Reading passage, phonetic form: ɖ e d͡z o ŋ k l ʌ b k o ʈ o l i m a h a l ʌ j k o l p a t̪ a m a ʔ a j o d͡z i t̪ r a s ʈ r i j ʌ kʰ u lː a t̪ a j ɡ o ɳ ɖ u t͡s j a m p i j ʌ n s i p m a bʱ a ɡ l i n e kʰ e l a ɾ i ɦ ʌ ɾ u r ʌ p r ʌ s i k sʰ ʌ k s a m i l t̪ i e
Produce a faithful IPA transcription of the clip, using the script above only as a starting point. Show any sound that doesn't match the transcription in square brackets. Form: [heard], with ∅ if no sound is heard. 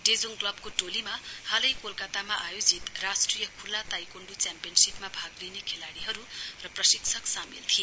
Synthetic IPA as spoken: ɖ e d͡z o ŋ k l ʌ b k o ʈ o l i m a h a l ʌ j k o l [k] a t̪ a m a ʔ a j o d͡z i t̪ r a s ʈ r i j ʌ kʰ u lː a t̪ a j [k] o ɳ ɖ u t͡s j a m p i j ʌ n s i p m a bʱ a ɡ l i n e kʰ e l a [ɽ] i ɦ ʌ ɾ u r ʌ p r ʌ s i k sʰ ʌ k s a m i l [t̪ʰ] i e